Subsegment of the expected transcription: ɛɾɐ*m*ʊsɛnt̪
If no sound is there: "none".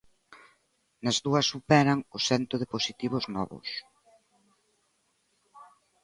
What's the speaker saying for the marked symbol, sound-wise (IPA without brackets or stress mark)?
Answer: ŋ